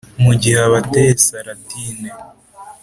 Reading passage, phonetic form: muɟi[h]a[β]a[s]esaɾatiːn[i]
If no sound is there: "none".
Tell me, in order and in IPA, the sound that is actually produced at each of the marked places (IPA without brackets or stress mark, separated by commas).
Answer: h, β, t, e